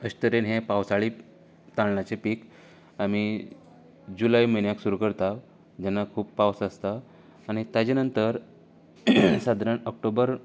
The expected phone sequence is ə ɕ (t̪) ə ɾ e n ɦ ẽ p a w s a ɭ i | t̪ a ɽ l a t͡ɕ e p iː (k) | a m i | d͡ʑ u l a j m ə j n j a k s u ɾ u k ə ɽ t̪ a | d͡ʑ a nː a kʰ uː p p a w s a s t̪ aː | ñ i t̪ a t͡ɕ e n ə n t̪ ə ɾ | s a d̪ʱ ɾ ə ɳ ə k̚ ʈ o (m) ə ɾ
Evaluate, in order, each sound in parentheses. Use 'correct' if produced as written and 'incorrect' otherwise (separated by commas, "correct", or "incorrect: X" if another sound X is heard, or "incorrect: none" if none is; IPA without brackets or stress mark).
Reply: correct, correct, incorrect: b